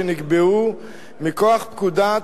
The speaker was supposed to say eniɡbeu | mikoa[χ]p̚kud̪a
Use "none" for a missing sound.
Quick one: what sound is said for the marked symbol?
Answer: χ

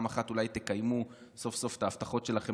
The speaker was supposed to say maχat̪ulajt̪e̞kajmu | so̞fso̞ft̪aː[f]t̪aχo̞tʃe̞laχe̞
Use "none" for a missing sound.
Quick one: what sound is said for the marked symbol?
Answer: f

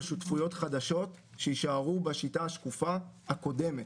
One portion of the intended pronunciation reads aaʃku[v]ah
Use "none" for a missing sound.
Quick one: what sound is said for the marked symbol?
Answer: f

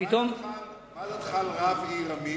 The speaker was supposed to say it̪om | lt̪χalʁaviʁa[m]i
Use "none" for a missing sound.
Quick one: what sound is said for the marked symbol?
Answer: m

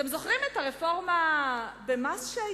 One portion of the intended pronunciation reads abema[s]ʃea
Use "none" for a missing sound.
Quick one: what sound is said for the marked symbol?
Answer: s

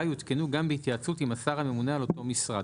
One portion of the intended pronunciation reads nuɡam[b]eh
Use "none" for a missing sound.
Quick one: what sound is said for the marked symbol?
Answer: b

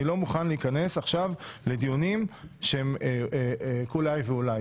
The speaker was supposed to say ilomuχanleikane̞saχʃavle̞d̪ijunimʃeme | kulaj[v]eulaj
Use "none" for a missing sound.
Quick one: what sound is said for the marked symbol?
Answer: v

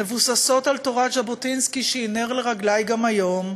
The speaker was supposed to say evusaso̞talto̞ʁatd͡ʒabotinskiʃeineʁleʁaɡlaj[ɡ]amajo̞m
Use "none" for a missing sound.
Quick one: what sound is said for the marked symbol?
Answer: ɡ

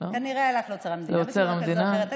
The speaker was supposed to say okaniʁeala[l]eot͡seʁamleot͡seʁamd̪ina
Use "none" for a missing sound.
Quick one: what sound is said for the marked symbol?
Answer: l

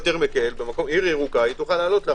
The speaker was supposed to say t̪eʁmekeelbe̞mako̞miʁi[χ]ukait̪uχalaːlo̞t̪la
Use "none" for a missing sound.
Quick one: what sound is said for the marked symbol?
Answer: ʁ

